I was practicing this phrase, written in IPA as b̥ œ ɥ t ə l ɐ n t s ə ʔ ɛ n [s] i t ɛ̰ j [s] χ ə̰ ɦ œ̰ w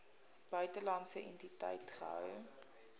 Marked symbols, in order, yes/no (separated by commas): no, no